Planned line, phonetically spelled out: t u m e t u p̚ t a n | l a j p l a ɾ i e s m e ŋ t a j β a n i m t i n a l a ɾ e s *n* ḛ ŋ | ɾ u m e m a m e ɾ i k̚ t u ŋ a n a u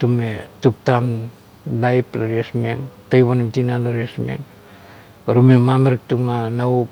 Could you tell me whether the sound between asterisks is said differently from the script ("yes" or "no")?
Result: yes